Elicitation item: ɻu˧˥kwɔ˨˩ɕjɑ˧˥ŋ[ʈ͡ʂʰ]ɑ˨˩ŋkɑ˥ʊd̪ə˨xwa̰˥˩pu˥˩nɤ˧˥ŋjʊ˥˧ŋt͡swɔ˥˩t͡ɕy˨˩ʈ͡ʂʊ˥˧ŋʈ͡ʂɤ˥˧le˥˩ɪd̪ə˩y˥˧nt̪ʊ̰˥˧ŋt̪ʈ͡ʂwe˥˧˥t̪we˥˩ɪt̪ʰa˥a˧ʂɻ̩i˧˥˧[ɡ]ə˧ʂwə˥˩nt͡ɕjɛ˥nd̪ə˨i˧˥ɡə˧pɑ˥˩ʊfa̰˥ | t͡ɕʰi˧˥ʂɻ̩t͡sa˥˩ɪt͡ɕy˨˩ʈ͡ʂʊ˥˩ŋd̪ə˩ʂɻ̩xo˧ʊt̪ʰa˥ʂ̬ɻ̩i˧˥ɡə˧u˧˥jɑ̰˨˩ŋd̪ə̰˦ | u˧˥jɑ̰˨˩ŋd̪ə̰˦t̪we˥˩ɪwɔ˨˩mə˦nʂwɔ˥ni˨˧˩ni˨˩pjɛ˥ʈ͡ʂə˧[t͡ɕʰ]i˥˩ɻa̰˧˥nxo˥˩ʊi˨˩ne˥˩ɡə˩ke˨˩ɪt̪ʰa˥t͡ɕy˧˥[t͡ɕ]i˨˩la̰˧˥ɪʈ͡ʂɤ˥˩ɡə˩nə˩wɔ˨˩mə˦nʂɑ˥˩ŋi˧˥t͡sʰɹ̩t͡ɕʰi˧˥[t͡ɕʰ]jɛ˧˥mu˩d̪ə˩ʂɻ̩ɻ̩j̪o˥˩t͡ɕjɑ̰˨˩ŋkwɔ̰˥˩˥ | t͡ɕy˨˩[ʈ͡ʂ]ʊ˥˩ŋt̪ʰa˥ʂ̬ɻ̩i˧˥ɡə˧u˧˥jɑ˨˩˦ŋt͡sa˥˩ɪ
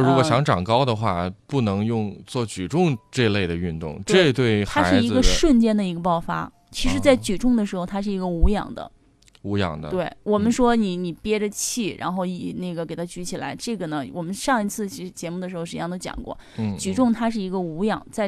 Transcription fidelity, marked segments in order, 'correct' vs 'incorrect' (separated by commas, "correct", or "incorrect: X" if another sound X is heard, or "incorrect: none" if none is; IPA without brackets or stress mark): incorrect: ʈ͡ʂ, correct, correct, incorrect: t͡ɕʰ, incorrect: t͡ɕ, correct